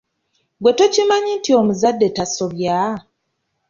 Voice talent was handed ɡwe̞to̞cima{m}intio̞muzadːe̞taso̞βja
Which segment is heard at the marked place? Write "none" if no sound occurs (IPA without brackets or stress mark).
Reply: ɲ